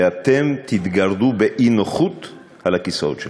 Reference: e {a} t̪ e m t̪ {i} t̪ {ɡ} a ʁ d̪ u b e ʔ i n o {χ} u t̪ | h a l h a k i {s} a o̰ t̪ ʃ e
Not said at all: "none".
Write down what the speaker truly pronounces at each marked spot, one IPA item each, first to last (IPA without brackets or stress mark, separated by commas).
a, i, ɡ, χ, s